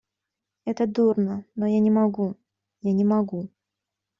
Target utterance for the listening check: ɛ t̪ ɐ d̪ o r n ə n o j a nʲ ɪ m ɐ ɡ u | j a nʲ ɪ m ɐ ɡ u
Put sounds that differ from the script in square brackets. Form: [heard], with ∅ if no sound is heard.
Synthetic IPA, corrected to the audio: ɛ t̪ [ə] d̪ [u] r n ə n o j a nʲ ɪ m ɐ ɡ u | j a nʲ ɪ m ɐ ɡ u